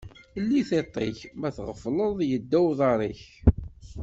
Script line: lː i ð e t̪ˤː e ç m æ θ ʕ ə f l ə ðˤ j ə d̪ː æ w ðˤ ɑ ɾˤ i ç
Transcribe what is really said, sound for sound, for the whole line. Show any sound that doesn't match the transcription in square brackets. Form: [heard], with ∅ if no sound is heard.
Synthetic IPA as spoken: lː i [θ] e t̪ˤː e ç m æ θ [ʁ] ə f l ə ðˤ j ə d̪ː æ w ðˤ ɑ ɾˤ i ç